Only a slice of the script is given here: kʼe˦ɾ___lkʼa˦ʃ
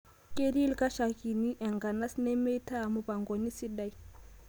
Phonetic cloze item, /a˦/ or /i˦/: i˦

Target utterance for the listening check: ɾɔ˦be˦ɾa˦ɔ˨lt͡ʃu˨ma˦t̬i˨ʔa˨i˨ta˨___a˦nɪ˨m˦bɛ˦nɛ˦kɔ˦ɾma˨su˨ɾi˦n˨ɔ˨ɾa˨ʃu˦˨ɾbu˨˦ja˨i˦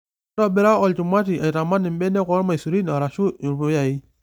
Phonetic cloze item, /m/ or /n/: m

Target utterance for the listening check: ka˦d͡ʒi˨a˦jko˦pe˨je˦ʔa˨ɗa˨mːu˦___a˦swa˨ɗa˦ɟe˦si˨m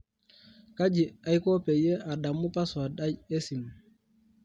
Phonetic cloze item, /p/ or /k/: p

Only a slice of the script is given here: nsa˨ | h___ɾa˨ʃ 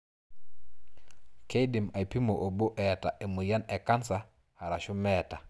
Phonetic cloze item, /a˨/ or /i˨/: a˨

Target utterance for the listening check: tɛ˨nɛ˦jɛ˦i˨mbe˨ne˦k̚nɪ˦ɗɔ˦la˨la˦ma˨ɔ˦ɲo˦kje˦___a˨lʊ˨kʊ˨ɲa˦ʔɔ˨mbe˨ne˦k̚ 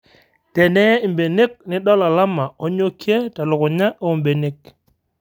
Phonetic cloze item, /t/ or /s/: t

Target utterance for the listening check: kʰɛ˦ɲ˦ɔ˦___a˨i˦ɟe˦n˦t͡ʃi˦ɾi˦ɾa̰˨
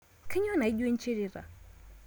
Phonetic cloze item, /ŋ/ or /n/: n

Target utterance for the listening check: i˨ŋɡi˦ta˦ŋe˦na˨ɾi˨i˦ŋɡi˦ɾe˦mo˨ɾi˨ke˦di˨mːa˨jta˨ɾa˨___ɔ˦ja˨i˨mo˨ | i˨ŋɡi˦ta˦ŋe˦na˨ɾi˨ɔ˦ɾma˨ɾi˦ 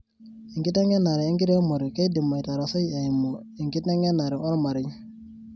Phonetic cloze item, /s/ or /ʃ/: s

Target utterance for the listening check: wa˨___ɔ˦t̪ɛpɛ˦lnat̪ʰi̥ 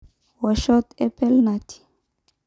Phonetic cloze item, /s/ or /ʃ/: ʃ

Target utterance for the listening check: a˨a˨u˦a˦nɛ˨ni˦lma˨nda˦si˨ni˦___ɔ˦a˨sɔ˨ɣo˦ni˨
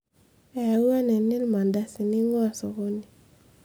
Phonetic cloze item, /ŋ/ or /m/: ŋ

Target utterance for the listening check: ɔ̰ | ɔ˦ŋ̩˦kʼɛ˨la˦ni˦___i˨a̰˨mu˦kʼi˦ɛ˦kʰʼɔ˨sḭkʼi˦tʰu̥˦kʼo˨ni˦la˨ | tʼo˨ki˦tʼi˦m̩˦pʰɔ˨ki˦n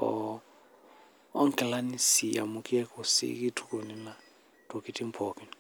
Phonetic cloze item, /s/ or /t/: s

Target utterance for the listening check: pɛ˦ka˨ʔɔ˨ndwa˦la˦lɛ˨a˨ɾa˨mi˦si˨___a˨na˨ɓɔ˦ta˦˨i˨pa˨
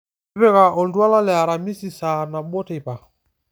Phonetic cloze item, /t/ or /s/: s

